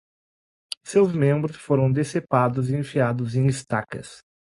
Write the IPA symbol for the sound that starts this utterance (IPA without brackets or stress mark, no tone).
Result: s